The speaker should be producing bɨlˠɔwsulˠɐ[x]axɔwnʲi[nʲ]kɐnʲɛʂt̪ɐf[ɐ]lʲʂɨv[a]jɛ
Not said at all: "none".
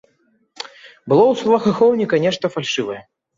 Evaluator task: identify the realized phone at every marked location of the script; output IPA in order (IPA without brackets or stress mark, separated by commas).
x, none, a, ɐ